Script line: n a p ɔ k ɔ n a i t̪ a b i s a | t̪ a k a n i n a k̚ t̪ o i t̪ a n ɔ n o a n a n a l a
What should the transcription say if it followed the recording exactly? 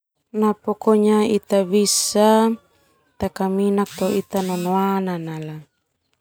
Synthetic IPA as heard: n a p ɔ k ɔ ɲ a i t̪ a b i s a | t̪ a k a m i n a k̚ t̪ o i t̪ a n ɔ n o a n a n a l a